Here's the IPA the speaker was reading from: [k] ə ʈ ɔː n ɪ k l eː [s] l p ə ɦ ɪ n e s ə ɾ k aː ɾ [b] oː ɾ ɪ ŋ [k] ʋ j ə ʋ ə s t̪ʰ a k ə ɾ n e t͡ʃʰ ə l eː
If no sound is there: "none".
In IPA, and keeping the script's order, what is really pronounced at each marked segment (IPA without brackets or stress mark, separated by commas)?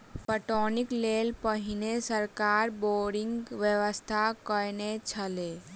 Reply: p, none, b, ɡ